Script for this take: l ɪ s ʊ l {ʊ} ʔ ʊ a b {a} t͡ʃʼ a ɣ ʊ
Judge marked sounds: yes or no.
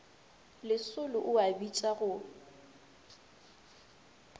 yes, no

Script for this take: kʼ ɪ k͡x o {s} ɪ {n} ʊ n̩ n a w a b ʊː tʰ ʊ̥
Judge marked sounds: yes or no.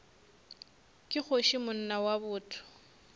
no, no

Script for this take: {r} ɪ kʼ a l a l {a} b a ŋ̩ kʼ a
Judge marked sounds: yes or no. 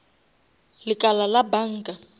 no, yes

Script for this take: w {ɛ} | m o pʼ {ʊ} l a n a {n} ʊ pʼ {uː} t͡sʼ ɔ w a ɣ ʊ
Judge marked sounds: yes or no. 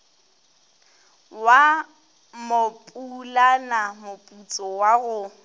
no, no, no, no

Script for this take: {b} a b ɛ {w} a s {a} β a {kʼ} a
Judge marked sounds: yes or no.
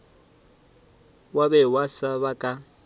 no, yes, yes, yes

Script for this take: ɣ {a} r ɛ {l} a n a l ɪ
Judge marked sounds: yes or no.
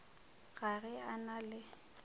yes, no

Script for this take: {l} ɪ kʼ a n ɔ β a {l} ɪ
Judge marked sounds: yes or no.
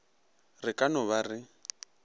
no, no

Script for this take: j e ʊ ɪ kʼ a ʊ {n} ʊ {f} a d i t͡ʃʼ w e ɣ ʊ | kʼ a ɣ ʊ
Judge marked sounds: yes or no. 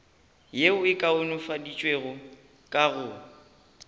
yes, yes

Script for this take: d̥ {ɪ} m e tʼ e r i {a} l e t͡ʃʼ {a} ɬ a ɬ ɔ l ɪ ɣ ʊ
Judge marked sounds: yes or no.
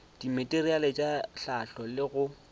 no, yes, yes

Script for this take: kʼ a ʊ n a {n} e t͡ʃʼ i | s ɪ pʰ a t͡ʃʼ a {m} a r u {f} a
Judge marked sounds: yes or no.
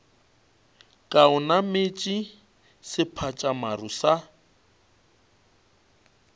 no, yes, no

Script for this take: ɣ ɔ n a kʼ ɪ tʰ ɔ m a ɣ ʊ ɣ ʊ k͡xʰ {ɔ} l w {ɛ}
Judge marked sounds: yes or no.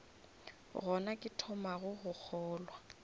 no, no

